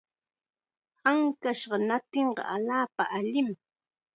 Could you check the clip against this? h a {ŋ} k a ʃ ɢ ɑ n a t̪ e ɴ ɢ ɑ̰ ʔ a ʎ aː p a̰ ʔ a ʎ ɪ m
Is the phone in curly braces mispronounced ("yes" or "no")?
no